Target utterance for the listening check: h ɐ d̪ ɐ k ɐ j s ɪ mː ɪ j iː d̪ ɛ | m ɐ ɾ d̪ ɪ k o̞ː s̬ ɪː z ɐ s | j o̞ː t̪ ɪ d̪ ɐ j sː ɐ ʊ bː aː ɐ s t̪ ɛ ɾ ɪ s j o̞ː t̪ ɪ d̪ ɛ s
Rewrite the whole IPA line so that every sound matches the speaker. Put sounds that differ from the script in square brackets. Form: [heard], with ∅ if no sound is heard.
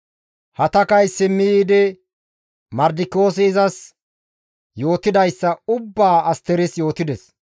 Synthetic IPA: h ɐ [t̪] ɐ k ɐ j s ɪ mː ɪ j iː d̪ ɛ | m ɐ ɾ d̪ ɪ k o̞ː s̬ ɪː z ɐ s | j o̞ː t̪ ɪ d̪ ɐ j sː ɐ ʊ bː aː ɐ s t̪ ɛ ɾ ɪ s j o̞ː t̪ ɪ d̪ ɛ s